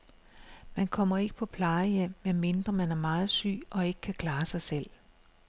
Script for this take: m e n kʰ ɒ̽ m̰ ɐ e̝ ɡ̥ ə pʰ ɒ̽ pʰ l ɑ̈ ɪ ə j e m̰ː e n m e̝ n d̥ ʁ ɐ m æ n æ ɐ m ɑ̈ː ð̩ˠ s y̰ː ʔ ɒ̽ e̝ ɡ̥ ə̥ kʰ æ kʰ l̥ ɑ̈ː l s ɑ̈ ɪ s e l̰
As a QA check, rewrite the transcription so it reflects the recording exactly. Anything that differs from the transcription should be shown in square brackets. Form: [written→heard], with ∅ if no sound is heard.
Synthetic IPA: m [e→æ] n kʰ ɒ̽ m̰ ɐ e̝ ɡ̥ ə pʰ ɒ̽ pʰ l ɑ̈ ɪ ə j e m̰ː e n m e̝ n d̥ ʁ ɐ m æ n æ ɐ m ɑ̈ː ð̩ˠ s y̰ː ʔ ɒ̽ e̝ ɡ̥ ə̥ kʰ æ kʰ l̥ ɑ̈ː [l→∅] s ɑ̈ ɪ s e l̰